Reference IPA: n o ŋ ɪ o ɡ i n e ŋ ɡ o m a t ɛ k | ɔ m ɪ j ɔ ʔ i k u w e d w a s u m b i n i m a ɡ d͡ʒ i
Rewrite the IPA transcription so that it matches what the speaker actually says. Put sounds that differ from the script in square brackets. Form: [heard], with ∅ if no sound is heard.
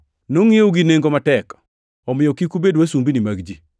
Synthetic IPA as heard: n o ŋ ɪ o ɡ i n e ŋ ɡ o m a t ɛ k | ɔ m ɪ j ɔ [k] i k u [b] e d w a s u m b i n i m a ɡ d͡ʒ i

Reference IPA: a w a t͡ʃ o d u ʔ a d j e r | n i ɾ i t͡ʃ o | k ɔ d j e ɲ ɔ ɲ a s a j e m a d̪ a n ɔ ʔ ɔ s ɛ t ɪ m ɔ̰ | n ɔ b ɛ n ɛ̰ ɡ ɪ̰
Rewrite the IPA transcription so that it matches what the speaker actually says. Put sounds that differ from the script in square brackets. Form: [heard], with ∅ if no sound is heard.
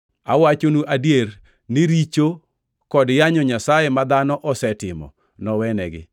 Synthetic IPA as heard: a w a t͡ʃ o [n] u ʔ a d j e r | n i ɾ i t͡ʃ o | k ɔ d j [a] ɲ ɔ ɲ a s a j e m a d̪ a n ɔ ʔ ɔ s ɛ t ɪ m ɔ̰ | n ɔ [w] ɛ n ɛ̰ ɡ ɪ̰

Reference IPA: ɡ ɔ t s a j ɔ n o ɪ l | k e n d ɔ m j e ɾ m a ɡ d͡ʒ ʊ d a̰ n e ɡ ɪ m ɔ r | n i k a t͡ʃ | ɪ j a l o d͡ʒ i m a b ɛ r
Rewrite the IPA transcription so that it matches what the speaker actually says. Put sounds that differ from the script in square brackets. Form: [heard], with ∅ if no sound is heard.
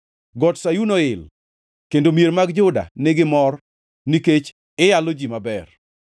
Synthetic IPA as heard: ɡ ɔ t s a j [u] n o ɪ l | k e n d [o] m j e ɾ m a ɡ d͡ʒ ʊ d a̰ n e ɡ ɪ m ɔ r | n i k [e] t͡ʃ | ɪ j a l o d͡ʒ i m a b ɛ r

